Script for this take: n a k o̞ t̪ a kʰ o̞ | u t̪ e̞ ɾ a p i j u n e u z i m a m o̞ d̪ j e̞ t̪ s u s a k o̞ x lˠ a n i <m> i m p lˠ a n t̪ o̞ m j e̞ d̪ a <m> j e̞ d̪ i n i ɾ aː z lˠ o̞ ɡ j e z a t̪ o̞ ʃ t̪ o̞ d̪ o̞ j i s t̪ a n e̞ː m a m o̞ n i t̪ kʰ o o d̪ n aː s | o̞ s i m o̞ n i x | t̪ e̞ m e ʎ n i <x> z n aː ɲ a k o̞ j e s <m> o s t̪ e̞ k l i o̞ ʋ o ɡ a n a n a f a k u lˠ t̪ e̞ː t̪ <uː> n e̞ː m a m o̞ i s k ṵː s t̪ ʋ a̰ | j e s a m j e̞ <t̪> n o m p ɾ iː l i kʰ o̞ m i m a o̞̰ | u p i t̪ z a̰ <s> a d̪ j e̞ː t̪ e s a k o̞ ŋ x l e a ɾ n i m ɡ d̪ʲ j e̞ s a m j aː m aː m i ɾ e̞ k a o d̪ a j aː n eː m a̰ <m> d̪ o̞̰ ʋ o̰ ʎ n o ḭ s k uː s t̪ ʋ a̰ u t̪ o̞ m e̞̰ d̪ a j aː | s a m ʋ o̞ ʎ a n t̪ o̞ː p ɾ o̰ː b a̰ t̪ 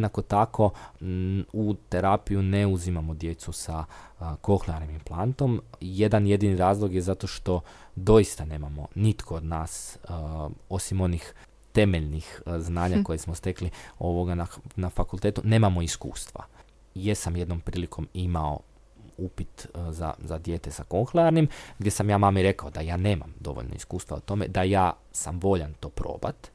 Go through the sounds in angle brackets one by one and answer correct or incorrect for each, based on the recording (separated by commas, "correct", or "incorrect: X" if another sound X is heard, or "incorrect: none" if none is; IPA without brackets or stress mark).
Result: correct, incorrect: n, correct, correct, incorrect: u, incorrect: d̪, incorrect: z, correct